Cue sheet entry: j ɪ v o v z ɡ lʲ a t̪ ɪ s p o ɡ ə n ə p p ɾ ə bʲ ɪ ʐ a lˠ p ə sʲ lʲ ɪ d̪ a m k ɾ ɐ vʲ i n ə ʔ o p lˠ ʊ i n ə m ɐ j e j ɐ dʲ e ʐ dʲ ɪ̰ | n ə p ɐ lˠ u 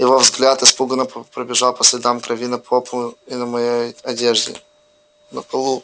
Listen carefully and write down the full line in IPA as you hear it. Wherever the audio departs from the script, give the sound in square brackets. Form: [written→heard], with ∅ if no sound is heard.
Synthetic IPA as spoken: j ɪ v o v z ɡ lʲ a t̪ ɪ s p [o→u] ɡ ə n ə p p ɾ ə bʲ ɪ ʐ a lˠ p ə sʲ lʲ ɪ d̪ a m k ɾ ɐ vʲ i n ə [ʔ→p] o p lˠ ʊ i n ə m ɐ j e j ɐ dʲ e ʐ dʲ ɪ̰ | n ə p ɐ lˠ u